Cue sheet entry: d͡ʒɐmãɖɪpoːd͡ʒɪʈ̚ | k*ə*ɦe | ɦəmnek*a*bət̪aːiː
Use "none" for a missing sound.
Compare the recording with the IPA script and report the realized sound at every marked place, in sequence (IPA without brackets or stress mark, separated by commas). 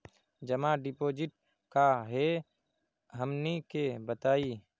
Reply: a, e